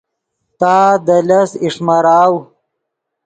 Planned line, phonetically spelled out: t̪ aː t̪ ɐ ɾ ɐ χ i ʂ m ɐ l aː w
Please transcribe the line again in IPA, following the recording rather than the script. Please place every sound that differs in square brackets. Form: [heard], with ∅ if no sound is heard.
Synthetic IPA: t̪ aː [d̪] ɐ [l] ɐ [s] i ʂ m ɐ [ɾ] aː w